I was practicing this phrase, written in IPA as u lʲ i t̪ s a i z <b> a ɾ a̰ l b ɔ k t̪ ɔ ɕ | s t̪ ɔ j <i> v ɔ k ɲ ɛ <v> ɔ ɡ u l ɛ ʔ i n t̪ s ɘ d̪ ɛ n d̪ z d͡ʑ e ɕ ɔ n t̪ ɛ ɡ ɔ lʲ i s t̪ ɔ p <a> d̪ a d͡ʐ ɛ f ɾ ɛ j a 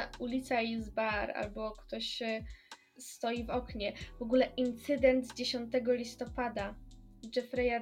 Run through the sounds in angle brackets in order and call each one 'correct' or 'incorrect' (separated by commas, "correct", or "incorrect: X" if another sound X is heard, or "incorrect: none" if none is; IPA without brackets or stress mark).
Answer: correct, correct, correct, correct